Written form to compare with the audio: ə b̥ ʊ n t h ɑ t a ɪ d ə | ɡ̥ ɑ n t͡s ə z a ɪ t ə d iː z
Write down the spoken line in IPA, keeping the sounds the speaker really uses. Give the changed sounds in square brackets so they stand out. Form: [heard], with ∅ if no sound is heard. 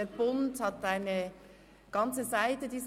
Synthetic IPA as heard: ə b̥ ʊ n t h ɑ t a ɪ [n] ə | ɡ̥ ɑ n t͡s ə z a ɪ t ə d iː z